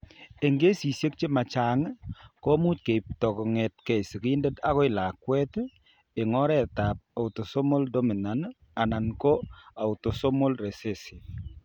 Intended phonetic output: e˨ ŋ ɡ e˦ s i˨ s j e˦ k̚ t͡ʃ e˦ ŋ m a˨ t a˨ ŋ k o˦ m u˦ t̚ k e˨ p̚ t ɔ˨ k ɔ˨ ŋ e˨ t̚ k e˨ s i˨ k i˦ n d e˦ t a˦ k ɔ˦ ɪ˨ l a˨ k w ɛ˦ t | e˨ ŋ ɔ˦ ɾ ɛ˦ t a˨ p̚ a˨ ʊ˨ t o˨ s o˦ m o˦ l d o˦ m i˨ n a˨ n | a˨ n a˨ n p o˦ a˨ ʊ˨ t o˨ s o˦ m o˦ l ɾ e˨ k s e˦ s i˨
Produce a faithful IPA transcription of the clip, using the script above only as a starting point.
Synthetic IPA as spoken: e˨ ŋ ɡ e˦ s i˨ s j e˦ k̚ t͡ʃ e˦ m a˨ t͡ʃ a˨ ŋ k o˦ m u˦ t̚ k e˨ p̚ t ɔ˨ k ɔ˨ ŋ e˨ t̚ k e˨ s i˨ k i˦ n d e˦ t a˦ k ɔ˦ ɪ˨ l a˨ k w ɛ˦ t | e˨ ŋ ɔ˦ ɾ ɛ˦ t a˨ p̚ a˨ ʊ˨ t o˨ s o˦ m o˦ l d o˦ m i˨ n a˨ n | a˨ n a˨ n k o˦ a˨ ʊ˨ t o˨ s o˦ m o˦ l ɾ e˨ s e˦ s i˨